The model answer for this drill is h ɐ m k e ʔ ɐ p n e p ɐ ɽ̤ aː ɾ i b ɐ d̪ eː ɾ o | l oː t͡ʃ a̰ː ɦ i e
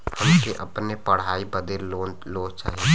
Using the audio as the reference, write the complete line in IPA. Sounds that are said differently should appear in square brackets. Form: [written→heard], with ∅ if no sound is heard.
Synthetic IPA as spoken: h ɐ m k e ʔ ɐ p n e p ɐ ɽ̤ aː [ɾ→∅] i b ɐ d̪ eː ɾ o | l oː t͡ʃ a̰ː ɦ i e